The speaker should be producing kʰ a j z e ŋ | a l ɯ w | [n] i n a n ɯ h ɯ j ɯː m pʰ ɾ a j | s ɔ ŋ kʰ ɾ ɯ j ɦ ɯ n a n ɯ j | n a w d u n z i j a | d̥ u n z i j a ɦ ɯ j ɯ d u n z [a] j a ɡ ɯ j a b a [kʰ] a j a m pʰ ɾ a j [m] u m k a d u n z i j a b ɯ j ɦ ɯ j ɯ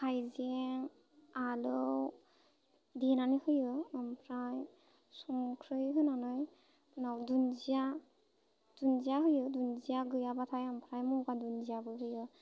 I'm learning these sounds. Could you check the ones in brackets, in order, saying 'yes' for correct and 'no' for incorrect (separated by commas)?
no, no, no, yes